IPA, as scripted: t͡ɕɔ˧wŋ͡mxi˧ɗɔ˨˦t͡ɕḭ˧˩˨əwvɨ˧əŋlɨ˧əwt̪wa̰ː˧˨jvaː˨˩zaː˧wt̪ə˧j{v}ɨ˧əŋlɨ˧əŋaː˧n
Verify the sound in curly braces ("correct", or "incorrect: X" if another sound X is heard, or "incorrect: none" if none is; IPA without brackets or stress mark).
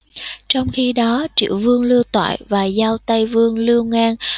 correct